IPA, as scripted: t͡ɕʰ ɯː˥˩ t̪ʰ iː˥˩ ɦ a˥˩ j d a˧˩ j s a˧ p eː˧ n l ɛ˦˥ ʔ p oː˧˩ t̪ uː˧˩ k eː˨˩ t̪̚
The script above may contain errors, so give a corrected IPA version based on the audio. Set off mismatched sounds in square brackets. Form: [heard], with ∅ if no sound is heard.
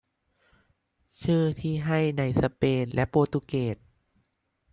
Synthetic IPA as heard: t͡ɕʰ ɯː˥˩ t̪ʰ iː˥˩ ɦ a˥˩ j [n] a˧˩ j s a˧ p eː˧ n l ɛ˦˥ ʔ p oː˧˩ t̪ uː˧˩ k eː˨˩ t̪̚